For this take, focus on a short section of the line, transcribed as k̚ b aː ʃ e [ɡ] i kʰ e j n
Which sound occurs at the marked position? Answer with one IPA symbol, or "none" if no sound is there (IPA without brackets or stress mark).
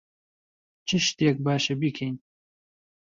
b